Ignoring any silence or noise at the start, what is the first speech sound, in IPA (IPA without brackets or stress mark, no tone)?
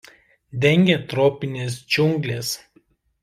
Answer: d̪ʲ